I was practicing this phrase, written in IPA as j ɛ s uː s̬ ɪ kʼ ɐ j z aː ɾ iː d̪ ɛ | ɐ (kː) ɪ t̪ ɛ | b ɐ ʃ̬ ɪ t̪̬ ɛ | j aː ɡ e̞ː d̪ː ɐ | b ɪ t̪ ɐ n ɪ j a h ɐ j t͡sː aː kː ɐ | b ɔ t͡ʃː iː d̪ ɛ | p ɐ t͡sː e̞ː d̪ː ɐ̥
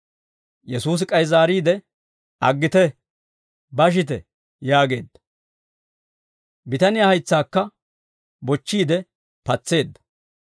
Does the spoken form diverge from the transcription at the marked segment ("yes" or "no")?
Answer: yes